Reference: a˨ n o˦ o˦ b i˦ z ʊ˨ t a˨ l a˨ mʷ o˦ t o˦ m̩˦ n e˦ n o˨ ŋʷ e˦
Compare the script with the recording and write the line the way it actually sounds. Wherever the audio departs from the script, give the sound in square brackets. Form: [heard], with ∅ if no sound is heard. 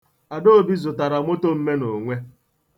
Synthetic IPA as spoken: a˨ [d] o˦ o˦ b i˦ z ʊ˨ t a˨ [ɾ] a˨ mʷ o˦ t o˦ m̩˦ [m] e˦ n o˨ ŋʷ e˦